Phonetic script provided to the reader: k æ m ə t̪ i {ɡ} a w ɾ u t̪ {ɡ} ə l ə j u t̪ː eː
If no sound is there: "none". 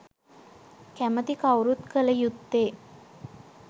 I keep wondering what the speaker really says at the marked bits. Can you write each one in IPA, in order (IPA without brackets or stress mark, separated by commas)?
k, k